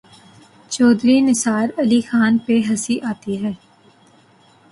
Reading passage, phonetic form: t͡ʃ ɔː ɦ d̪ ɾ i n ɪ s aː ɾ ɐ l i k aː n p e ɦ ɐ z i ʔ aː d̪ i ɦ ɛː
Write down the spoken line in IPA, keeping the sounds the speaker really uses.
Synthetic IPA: t͡ʃ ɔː d̪ ɾ i n ɪ s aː ɾ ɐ l i x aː n p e ɦ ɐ s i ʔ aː t̪ i ɦ ɛː